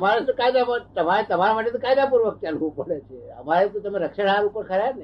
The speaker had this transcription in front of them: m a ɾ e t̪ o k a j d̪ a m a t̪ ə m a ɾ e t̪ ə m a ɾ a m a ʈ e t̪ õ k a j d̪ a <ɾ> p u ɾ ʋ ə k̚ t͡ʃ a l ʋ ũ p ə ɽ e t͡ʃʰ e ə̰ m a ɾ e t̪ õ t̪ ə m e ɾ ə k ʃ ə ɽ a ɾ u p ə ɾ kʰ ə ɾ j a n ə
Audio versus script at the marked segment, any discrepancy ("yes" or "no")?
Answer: yes